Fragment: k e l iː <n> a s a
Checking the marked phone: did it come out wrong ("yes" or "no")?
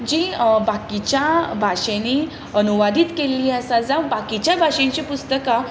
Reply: yes